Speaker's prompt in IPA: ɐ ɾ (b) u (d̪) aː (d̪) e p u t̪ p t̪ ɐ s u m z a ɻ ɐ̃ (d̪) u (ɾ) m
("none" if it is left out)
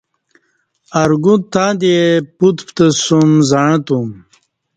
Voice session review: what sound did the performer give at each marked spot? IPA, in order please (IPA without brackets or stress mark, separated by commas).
ɡ, t̪, d̪, t̪, none